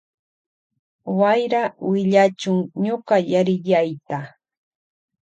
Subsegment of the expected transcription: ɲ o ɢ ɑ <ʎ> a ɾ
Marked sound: incorrect: j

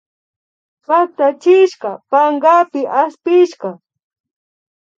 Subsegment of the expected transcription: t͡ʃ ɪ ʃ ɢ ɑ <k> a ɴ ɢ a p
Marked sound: incorrect: p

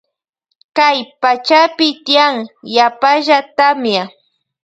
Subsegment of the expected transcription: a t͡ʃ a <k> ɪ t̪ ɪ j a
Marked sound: incorrect: p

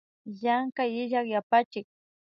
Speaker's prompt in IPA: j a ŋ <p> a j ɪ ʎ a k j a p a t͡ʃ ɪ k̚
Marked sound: incorrect: k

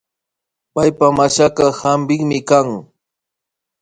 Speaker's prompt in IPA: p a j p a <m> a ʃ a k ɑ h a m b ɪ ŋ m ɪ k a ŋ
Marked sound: correct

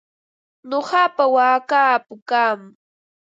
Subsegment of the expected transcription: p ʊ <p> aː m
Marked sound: incorrect: k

